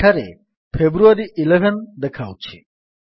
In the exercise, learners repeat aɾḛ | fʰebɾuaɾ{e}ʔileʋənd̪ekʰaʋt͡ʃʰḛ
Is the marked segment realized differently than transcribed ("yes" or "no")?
yes